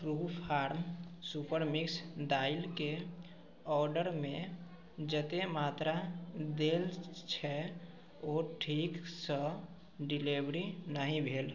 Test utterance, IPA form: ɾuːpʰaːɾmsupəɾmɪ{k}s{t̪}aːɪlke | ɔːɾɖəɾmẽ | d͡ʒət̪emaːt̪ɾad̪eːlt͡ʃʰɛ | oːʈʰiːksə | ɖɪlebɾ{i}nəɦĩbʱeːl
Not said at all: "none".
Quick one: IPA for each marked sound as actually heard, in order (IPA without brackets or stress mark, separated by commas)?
k, d̪, i